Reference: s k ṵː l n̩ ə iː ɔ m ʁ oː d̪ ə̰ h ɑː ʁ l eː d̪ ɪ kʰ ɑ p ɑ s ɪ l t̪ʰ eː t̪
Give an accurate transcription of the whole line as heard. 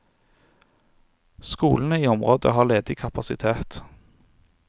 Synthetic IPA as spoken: s k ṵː l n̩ ə iː ɔ m ʁ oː d̪ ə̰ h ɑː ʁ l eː d̪ ɪ kʰ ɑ p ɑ s ɪ t̪ʰ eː t̪